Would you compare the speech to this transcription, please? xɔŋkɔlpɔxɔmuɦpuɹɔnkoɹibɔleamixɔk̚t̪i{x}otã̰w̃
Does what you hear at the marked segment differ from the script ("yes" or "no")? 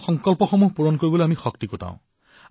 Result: yes